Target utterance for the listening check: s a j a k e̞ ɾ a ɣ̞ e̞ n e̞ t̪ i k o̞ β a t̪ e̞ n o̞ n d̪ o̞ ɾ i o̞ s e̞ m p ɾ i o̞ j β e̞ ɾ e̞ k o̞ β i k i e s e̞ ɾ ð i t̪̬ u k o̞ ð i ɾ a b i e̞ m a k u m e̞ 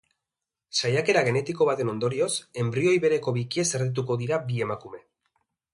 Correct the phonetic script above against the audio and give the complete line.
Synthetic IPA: s a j a k e̞ ɾ a ɣ̞ e̞ n e̞ t̪ i k o̞ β a t̪ e̞ n o̞ n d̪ o̞ ɾ i o̞ s e̞ m b ɾ i o̞ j β e̞ ɾ e̞ k o̞ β i k i e s e̞ ɾ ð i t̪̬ u k o̞ ð i ɾ a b i e̞ m a k u m e̞